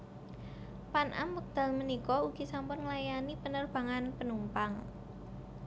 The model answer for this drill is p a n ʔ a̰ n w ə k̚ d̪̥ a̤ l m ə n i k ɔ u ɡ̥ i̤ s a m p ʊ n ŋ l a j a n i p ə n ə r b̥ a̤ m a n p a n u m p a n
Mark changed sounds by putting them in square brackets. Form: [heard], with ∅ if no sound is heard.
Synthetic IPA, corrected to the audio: p a n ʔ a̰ [m] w ə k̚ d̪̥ a̤ l m ə n i k ɔ u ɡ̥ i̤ s a m p ʊ n ŋ l a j a n i p ə n ə r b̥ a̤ [ŋ] a n p [ə] n u m p a [ŋ]